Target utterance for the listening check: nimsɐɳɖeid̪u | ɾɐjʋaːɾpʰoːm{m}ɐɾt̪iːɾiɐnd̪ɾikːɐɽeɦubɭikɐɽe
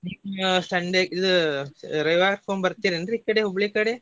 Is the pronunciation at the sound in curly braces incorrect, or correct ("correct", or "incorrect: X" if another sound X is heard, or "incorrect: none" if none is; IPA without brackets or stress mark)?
incorrect: b